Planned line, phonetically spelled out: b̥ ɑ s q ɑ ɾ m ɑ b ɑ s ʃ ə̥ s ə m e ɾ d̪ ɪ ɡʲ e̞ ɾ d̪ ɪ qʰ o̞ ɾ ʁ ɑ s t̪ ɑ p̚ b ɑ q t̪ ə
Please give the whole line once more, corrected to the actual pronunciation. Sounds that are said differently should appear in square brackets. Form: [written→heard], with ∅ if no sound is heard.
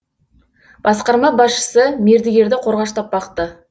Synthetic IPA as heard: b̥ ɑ s q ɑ ɾ m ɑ b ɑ s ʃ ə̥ s ə m e ɾ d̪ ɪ ɡʲ e̞ ɾ d̪ ɪ qʰ o̞ ɾ ʁ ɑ [s→ʃ] t̪ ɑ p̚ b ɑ q t̪ ə